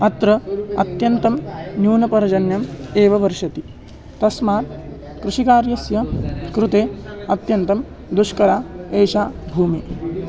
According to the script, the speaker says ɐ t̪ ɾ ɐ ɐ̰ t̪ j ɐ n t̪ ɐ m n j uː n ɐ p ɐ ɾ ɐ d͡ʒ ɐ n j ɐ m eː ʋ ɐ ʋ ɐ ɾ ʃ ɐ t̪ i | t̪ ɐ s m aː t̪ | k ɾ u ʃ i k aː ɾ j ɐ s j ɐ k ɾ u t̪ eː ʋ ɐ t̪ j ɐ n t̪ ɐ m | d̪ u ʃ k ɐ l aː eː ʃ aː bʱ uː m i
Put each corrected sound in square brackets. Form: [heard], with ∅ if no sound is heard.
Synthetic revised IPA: ɐ t̪ ɾ ɐ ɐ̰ t̪ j ɐ n t̪ ɐ m n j uː n ɐ p ɐ ɾ ɐ d͡ʒ ɐ n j ɐ m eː ʋ ɐ ʋ ɐ ɾ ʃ ɐ t̪ i | t̪ ɐ s m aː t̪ | k ɾ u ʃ i k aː ɾ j ɐ s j ɐ k ɾ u t̪ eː [∅] ɐ t̪ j ɐ n t̪ ɐ m | d̪ u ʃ k ɐ [ɾ] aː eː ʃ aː bʱ uː m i